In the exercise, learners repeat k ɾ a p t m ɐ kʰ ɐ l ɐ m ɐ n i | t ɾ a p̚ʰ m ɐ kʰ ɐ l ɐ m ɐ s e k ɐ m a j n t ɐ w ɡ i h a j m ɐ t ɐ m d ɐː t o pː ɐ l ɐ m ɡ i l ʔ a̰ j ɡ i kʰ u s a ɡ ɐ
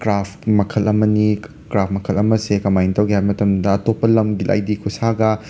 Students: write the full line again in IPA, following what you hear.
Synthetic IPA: k ɾ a p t m ɐ kʰ ɐ l ɐ m ɐ n i | k ɾ a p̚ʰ m ɐ kʰ ɐ l ɐ m ɐ s e k ɐ m a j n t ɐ w ɡ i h a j m ɐ t ɐ m d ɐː t o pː ɐ l ɐ m ɡ i l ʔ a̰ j d i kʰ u s a ɡ ɐ